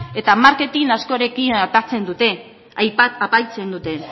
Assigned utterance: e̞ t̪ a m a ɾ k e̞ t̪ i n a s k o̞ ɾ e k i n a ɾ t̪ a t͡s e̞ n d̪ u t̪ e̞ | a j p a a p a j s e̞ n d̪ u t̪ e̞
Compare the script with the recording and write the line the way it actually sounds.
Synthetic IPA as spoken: e̞ t̪ a m a ɾ k e̞ t̪ i n a s k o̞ ɾ e k i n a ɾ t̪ a t͡s e̞ n d̪ u t̪ e̞ | a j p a a p a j t͡s e̞ n d̪ u t̪ e̞